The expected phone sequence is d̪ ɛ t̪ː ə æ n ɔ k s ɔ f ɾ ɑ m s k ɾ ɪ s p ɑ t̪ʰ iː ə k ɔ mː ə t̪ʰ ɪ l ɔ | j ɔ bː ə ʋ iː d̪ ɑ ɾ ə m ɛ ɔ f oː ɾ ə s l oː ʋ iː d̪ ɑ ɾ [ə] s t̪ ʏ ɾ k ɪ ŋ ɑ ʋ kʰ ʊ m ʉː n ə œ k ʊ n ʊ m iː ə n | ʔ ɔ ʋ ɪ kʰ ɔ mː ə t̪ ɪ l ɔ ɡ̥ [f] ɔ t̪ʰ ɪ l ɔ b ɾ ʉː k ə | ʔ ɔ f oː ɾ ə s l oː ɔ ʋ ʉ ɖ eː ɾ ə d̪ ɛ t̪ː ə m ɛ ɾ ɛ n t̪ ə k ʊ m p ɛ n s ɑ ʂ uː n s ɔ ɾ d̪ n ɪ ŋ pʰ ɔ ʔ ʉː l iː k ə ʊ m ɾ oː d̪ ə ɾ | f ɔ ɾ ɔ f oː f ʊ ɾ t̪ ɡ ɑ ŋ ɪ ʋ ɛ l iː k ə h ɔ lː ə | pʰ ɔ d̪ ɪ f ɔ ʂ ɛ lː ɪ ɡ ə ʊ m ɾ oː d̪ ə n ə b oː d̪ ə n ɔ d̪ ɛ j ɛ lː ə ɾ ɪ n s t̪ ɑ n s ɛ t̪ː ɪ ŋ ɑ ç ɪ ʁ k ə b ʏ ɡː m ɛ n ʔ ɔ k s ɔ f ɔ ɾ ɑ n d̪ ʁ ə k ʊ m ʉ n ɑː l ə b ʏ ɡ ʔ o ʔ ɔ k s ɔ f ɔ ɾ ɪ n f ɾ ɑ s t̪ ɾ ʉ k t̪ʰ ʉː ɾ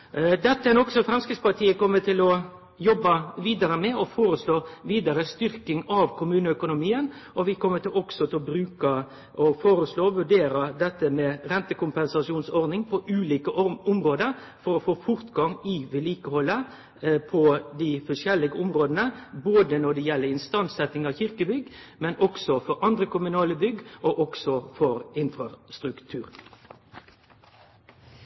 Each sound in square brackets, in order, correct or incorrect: correct, incorrect

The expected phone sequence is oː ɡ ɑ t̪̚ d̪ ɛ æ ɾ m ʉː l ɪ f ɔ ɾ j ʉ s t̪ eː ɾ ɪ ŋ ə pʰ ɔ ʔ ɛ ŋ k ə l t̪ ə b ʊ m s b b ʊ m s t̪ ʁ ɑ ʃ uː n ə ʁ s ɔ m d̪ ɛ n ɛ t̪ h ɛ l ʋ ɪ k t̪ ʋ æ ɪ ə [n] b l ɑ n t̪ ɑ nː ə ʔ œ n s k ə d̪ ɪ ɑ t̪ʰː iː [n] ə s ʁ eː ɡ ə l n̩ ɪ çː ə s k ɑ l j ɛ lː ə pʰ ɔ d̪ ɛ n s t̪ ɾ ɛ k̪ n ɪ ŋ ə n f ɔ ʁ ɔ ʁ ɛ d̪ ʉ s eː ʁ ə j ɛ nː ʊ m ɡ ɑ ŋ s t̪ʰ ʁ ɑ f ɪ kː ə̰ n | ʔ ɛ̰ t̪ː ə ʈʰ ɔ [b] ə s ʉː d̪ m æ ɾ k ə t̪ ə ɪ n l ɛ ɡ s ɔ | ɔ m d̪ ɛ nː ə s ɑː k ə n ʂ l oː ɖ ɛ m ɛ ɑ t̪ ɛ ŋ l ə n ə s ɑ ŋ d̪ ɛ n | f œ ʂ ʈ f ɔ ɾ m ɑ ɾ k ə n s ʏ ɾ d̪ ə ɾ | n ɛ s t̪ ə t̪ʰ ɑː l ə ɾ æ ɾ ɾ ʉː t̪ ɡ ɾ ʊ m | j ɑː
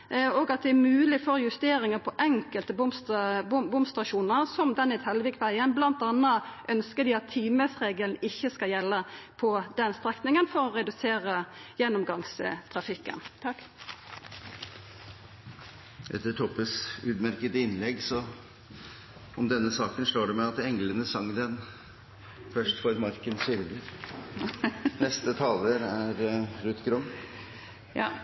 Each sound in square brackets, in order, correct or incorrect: correct, incorrect, incorrect

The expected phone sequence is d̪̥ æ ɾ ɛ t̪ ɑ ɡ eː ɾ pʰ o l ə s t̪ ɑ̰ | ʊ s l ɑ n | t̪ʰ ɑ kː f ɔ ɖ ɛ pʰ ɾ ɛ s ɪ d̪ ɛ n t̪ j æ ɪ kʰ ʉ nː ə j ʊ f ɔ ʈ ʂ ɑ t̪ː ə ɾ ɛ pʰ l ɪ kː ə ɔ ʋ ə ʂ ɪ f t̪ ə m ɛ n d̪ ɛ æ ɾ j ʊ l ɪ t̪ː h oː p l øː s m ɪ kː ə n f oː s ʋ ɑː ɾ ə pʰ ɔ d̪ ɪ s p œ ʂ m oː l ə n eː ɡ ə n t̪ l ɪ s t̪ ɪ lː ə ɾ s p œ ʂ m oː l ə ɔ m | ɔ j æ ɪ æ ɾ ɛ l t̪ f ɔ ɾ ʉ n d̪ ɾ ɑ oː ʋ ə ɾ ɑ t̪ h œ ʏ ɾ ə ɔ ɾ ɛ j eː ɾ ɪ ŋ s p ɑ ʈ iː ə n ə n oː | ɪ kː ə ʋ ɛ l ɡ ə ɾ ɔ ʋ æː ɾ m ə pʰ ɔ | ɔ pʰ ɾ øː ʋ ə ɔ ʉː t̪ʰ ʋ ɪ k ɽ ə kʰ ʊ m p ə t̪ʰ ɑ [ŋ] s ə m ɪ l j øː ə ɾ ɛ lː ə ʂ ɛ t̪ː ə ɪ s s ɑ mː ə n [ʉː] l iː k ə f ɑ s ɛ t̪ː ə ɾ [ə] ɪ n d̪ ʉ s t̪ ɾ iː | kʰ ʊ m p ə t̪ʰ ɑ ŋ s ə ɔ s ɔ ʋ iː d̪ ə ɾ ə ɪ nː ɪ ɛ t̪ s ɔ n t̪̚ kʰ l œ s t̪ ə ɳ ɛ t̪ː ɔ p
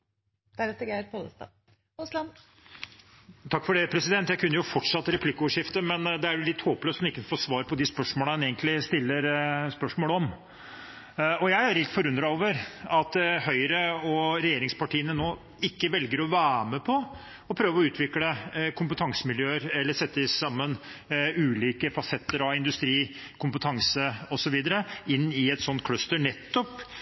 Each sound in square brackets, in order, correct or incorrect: correct, correct, incorrect

